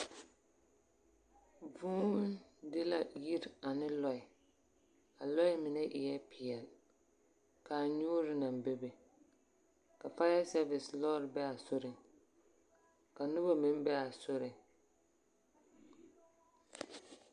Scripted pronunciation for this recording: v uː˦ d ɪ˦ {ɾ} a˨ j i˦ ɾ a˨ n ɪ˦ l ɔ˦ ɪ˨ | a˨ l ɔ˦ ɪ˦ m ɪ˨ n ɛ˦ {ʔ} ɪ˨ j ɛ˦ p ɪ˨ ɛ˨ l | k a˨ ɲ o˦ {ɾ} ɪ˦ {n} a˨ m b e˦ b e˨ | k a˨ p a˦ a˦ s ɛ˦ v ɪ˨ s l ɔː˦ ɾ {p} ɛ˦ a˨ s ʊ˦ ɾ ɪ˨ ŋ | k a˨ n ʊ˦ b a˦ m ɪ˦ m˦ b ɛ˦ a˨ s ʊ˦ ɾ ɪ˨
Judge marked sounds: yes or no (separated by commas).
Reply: no, yes, yes, yes, no